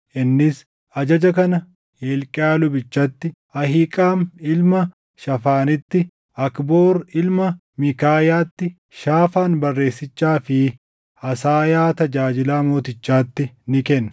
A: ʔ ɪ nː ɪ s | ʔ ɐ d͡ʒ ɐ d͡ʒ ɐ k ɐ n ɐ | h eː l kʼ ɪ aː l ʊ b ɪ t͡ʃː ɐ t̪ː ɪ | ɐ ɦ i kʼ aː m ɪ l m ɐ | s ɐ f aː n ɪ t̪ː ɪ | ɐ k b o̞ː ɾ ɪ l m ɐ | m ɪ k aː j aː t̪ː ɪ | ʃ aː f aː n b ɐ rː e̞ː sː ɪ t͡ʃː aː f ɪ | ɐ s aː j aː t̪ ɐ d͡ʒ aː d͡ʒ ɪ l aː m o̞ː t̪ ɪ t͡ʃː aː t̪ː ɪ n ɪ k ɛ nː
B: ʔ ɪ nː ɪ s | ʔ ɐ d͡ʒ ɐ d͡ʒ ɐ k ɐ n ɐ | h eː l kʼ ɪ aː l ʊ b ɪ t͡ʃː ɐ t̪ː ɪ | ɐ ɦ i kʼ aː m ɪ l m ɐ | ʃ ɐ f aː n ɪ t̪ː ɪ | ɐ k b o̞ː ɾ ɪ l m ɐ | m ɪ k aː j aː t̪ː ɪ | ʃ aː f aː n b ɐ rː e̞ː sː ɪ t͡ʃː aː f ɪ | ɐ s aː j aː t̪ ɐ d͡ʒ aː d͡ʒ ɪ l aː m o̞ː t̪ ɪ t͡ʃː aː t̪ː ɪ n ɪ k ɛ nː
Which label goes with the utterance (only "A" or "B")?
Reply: B